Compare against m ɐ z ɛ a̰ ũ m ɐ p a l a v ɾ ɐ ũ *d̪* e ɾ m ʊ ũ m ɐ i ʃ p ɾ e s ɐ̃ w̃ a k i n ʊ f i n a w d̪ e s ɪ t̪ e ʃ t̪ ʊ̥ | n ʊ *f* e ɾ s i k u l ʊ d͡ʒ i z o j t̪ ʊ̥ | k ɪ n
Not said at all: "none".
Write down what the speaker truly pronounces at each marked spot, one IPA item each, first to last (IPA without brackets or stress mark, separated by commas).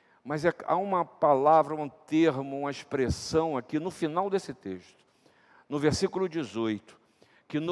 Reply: t̪, v